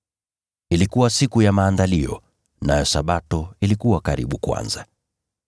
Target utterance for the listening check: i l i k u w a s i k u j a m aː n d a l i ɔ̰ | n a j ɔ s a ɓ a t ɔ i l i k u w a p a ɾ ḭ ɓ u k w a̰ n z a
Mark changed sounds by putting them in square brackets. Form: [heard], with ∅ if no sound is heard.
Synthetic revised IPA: i l i k u w a s i k u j a m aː n d a l i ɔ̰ | n a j ɔ s a ɓ a t ɔ i l i k u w a [k] a ɾ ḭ ɓ u k w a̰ n z a